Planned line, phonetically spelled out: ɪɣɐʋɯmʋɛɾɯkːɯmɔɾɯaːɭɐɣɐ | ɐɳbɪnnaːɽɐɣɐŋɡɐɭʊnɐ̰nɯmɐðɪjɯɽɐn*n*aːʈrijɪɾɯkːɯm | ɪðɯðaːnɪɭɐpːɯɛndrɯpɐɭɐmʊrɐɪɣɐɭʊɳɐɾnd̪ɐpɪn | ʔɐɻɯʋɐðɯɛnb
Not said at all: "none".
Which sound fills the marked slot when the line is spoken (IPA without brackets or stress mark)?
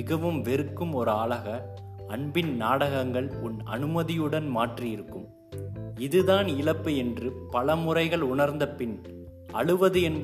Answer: m